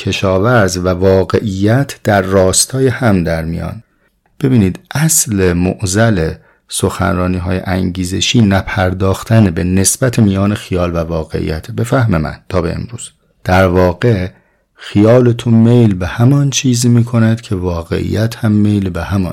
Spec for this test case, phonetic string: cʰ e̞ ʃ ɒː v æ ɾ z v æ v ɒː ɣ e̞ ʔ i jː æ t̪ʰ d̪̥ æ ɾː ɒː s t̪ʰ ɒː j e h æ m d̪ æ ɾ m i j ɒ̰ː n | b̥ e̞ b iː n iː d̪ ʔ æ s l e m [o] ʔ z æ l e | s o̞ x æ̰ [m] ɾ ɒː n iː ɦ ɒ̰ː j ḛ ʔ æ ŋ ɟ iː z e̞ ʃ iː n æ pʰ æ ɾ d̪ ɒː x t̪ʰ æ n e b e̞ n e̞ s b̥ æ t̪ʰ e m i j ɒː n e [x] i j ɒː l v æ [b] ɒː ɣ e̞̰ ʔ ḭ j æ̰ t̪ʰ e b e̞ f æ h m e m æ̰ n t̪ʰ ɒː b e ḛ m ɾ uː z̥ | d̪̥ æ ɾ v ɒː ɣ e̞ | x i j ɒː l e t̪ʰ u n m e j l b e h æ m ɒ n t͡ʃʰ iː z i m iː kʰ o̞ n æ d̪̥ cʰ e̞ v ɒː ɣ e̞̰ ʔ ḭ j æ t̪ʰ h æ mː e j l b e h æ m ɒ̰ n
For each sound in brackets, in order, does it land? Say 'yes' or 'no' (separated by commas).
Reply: yes, no, yes, no